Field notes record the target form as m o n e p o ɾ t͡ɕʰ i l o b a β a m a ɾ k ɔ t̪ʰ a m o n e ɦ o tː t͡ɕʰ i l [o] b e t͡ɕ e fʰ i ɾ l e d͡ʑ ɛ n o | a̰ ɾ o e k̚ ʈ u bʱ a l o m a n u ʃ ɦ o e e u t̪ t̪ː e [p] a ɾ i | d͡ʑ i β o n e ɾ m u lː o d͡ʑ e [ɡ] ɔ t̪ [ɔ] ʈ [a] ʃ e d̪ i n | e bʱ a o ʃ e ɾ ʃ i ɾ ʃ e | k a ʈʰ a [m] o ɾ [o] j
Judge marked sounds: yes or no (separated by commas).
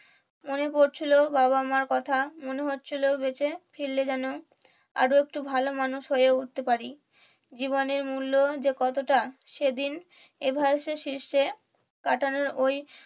yes, yes, no, no, yes, no, yes